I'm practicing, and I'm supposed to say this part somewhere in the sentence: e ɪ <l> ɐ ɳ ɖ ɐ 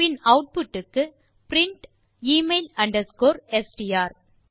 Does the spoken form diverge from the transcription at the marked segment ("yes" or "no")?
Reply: no